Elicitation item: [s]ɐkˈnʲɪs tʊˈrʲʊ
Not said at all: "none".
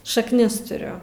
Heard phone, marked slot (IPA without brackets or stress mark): ʃ